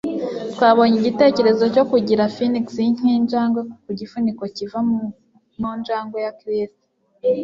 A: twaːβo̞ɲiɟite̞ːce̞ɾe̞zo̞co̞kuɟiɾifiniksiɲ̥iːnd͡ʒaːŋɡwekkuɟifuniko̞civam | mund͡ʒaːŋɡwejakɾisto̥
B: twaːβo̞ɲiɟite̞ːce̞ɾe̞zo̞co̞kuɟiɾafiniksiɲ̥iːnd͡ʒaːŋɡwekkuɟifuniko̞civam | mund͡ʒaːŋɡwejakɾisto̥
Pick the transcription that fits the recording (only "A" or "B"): B